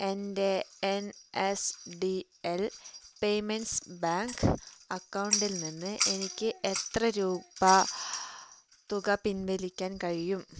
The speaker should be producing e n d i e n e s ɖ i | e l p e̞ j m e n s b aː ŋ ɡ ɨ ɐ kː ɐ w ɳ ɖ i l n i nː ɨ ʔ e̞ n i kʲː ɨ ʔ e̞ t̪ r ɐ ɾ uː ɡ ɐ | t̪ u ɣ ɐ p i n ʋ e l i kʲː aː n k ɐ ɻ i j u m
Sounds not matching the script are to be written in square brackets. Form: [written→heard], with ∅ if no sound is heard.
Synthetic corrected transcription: e n d [i→e] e n e s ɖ i | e l p e̞ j m e n s b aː ŋ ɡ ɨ ɐ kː ɐ w ɳ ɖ i l n i nː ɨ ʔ e̞ n i kʲː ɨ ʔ e̞ t̪ r ɐ ɾ uː [ɡ→b] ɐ | t̪ u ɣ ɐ p i n ʋ e l i kʲː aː n k ɐ ɻ i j u m